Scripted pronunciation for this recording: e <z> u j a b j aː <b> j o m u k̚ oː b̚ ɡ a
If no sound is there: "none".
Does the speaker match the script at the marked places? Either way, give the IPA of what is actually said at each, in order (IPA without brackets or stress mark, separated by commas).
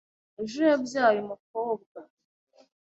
ʒ, none